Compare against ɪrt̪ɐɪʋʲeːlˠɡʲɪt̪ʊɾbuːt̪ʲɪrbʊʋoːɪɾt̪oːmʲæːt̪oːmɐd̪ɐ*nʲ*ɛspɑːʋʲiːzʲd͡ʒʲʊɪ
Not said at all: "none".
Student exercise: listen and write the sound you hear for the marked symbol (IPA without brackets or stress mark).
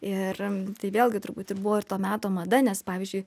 nʲ